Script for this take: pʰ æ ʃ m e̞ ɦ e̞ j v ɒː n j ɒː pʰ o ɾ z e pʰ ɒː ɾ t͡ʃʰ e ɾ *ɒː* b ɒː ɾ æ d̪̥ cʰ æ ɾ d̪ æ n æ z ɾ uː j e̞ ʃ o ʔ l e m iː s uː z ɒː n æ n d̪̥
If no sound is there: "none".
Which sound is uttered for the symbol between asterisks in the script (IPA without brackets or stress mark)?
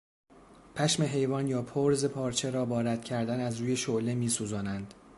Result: ɒː